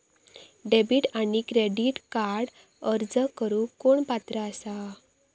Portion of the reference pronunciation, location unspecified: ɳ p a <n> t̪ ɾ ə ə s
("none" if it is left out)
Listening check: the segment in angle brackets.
none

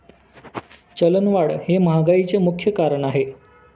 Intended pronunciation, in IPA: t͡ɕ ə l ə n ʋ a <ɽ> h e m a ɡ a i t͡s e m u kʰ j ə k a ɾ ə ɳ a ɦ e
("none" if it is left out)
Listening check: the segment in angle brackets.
ɽ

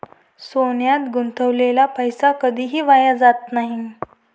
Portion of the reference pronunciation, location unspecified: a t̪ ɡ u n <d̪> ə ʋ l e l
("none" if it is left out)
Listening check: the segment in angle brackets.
t̪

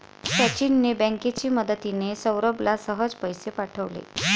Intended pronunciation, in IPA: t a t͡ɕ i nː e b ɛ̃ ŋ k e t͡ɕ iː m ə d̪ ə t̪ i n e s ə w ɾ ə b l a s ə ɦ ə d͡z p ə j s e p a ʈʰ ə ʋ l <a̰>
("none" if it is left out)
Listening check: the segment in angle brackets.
ḛ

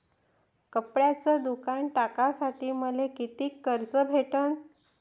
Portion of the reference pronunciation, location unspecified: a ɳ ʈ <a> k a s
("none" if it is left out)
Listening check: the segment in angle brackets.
a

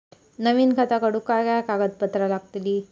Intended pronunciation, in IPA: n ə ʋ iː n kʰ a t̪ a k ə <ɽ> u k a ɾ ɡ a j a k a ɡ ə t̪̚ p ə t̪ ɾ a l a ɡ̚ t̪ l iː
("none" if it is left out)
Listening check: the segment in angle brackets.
ɽ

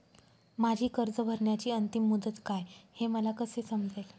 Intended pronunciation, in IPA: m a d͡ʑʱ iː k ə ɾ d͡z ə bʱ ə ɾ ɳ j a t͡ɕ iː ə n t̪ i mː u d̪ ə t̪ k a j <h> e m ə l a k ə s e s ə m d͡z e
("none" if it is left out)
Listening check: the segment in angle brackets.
h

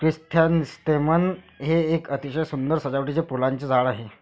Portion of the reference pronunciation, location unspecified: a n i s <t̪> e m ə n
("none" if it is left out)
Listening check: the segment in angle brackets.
t̪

